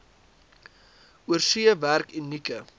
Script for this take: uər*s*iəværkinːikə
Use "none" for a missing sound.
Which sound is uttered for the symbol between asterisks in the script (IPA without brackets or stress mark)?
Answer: s